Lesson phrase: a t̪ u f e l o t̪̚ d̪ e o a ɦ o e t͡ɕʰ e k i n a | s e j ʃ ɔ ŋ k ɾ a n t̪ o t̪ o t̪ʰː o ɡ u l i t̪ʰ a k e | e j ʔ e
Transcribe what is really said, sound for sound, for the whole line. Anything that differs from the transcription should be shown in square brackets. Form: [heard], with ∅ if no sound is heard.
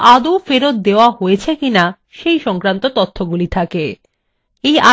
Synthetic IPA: a [d̪] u f e [ɾ] o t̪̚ d̪ e o a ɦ o e t͡ɕʰ e k i n a | [ʃ] e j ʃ ɔ ŋ k ɾ a n t̪ o t̪ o t̪ʰː o ɡ u l i t̪ʰ a k e | e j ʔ [a]

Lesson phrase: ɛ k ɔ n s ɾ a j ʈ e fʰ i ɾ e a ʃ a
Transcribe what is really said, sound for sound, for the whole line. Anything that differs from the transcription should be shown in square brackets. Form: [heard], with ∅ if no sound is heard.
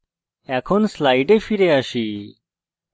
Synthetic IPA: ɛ [kʰ] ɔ n s [l] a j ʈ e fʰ i ɾ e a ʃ [i]

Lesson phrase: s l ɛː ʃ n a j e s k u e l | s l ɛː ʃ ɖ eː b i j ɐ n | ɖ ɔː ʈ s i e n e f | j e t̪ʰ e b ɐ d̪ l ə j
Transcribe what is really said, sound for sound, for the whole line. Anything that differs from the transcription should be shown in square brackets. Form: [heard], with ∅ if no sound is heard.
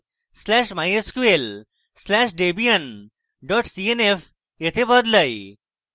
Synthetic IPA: s l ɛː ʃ [m] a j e s k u e l | s l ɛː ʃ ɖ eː b i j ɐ n | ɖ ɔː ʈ s i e n e f | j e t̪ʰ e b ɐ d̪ l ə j

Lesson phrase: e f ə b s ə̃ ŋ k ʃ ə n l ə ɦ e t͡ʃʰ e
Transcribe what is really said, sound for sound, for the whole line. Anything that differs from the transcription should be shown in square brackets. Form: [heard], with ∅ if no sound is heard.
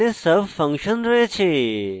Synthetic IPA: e [s] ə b [f] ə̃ ŋ k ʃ ə n [ɾ] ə ɦ e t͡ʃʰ e

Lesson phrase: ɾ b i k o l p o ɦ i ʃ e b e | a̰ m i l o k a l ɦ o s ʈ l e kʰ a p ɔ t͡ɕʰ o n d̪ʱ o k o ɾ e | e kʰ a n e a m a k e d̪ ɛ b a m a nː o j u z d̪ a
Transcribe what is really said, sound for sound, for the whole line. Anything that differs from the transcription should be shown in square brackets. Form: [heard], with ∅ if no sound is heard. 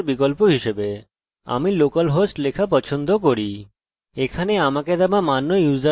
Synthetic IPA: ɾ b i k o l p o ɦ i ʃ e b e | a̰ m i l o k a l ɦ o s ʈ l e kʰ a p ɔ t͡ɕʰ o n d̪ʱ o k o ɾ [i] | e kʰ a n e a m a k e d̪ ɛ b a m a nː o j u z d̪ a

